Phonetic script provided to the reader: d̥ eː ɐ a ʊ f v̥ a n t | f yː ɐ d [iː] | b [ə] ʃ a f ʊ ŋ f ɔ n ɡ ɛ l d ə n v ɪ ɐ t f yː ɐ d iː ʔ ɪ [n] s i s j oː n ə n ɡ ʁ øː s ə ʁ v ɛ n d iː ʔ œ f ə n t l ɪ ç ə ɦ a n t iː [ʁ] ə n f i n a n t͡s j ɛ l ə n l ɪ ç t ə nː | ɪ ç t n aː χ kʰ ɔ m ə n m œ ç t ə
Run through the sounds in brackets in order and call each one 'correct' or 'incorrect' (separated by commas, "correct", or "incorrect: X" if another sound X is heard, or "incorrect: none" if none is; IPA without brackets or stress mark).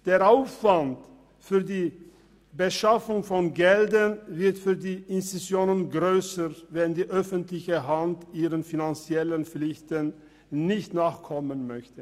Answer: correct, correct, correct, correct